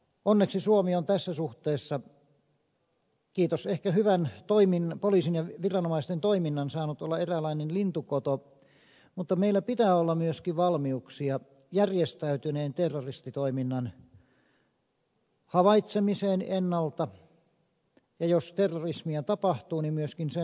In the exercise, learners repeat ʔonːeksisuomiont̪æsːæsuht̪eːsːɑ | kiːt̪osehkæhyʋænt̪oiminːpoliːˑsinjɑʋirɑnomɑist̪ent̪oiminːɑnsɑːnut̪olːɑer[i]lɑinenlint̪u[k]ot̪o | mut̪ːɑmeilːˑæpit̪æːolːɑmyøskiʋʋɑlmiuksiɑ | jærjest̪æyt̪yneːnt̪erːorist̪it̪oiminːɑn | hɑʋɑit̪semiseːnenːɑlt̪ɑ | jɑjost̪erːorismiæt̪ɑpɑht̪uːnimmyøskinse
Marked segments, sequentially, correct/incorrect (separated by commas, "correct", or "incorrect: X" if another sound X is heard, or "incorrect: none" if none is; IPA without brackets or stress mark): incorrect: æ, correct